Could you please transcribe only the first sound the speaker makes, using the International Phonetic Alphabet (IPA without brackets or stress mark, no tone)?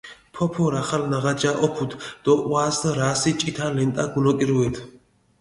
pʰ